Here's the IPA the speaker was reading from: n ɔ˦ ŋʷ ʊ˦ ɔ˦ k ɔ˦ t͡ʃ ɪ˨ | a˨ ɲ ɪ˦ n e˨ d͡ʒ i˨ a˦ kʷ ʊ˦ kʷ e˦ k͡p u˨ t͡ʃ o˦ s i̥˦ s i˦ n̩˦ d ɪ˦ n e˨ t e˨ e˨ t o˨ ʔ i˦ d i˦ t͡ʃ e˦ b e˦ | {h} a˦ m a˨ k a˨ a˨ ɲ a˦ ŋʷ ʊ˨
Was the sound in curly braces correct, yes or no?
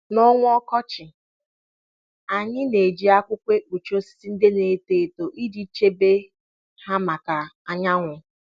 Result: yes